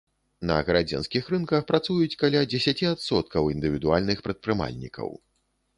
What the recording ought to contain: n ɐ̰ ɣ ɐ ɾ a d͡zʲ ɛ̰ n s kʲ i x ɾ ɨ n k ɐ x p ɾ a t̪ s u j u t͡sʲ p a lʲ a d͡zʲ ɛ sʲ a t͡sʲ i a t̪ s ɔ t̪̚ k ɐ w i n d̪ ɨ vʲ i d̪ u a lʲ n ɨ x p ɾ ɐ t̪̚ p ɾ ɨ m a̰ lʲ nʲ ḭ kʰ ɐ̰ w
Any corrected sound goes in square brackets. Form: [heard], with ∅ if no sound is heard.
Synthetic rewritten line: n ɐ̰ ɣ ɐ ɾ a d͡zʲ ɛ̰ n s kʲ i x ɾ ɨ n k ɐ x p ɾ a t̪ s u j u t͡sʲ [k] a lʲ a d͡zʲ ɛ sʲ a t͡sʲ i a t̪ s ɔ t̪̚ k ɐ w i n d̪ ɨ vʲ i d̪ u a lʲ n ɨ x p ɾ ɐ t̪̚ p ɾ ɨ m a̰ lʲ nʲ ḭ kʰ ɐ̰ w